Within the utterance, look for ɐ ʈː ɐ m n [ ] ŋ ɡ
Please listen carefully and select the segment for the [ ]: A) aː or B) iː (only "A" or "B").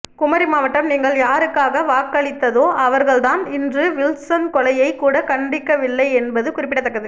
B